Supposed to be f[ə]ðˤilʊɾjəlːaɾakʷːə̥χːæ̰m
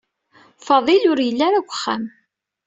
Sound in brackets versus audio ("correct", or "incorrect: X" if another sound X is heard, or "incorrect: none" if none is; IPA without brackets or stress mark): incorrect: ɑ